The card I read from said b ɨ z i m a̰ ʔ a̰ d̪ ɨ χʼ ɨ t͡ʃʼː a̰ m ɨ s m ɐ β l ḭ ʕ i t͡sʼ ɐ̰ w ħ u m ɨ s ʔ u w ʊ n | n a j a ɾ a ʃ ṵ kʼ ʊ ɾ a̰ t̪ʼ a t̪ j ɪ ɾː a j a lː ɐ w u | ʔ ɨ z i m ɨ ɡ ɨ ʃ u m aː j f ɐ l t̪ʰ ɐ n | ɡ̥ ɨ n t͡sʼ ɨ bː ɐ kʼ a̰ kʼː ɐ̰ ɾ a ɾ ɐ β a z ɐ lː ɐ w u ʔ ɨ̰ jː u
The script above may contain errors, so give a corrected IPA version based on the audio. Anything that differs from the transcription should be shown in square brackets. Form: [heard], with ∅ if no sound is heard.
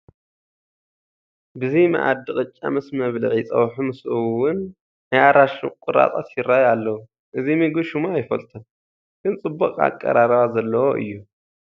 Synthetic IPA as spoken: b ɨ z i m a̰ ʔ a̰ d̪ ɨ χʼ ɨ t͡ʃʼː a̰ m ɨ s m ɐ β l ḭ ʕ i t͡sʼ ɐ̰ w ħ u m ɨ s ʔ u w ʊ n | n a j a ɾ a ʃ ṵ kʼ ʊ ɾ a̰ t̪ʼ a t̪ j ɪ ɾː a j a lː ɐ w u | ʔ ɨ z i m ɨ ɡ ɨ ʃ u m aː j f ɐ l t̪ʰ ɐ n | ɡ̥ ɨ n t͡sʼ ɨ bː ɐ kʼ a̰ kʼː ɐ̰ ɾ a ɾ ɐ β a z ɐ lː ɐ w [o] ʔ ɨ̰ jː u